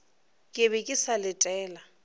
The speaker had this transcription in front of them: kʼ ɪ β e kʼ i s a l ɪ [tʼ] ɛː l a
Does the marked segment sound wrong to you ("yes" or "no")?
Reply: no